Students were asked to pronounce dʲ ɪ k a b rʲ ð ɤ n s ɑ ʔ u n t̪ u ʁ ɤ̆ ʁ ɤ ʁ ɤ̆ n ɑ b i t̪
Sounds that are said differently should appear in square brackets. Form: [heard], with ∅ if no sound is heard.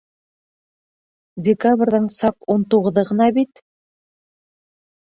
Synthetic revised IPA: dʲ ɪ k a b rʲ ð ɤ [ɴ] s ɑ [q] u n t̪ u ʁ ɤ̆ [ð] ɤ ʁ ɤ̆ n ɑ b i t̪